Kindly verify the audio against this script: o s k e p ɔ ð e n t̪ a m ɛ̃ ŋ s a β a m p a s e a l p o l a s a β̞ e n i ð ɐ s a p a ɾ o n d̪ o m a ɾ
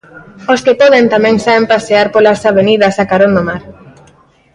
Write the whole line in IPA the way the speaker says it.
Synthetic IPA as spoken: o s k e p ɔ ð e n t̪ a m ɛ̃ ŋ s a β e m p a s e a ɾ p o l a s a β̞ e n i ð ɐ s a k a ɾ o n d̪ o m a ɾ